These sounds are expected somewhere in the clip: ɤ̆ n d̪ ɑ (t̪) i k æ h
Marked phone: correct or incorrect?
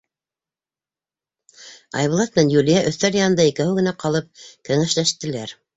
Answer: incorrect